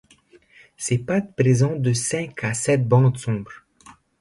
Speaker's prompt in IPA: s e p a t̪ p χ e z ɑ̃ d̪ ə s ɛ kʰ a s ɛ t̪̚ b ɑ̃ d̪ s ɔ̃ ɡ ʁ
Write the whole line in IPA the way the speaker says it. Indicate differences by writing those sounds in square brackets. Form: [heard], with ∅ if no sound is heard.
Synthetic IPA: s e p a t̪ p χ e z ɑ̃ d̪ ə s [ɛ̃] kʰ a s ɛ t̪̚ b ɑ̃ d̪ s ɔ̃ [b] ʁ